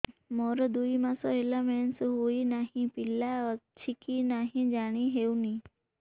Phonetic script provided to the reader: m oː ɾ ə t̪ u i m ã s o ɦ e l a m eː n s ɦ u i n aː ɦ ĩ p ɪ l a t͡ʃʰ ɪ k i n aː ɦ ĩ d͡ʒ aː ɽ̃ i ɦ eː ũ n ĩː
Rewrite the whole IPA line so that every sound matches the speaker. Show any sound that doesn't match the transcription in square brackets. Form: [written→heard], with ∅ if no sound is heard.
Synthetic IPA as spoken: m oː ɾ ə [t̪→d̪] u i m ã s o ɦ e l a m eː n s ɦ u i n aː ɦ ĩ p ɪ l a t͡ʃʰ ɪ k i n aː ɦ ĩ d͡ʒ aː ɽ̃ i ɦ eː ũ n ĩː